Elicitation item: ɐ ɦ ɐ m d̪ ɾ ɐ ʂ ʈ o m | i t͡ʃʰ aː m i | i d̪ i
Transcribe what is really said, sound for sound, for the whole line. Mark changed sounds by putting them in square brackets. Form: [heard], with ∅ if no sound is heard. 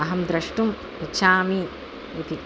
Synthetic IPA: ɐ ɦ ɐ m d̪ ɾ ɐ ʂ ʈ [u] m | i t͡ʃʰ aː m i | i [t̪] i